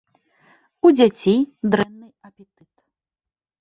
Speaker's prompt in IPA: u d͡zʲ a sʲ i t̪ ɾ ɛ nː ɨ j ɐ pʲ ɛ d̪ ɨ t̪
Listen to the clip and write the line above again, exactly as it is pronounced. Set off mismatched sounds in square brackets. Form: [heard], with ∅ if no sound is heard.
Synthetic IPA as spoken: u d͡zʲ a [t͡sʲ] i [d̪] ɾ ɛ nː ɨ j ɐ pʲ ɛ [t̪] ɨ t̪